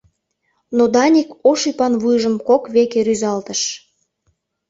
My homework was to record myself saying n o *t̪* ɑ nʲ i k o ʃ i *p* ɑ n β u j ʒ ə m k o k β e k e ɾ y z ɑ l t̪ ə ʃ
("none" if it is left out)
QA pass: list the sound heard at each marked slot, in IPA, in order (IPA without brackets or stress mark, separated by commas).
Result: d̪, p